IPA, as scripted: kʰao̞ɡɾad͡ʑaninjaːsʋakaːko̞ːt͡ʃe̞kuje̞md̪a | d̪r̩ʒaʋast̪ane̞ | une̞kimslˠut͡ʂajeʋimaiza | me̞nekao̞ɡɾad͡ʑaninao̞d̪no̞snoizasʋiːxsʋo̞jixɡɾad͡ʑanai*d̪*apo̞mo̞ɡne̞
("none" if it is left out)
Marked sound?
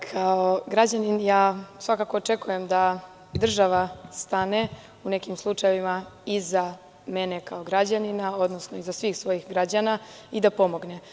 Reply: d̪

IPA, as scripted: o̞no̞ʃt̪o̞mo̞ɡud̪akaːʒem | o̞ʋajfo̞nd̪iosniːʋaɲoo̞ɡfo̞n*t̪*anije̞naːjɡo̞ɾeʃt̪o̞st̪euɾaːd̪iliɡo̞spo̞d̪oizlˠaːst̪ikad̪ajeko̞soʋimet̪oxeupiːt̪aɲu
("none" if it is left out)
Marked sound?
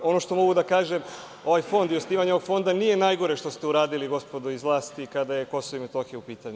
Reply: d̪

